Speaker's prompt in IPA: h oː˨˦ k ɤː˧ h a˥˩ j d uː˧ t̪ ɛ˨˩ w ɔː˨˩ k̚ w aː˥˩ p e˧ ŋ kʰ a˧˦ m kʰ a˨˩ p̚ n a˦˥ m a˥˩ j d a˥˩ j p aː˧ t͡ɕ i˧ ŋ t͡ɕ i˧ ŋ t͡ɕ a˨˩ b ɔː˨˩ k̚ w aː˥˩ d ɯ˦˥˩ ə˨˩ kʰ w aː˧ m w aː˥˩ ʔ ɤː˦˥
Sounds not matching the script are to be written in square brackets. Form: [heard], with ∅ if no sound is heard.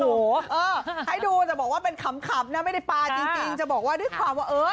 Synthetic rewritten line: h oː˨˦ [ʔ] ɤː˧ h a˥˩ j d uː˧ t̪ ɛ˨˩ [b] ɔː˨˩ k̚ w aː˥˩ p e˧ [n] kʰ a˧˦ m kʰ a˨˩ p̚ n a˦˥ m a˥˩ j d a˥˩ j p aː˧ t͡ɕ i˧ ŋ t͡ɕ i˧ ŋ t͡ɕ a˨˩ b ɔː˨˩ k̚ w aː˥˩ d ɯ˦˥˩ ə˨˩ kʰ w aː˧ m w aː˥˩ ʔ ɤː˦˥